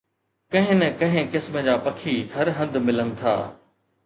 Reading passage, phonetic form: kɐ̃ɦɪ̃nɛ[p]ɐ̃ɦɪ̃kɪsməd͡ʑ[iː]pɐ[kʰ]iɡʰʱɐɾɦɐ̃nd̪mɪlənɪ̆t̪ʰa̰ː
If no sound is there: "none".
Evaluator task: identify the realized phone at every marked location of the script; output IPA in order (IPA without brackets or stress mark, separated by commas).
k, aː, kʰ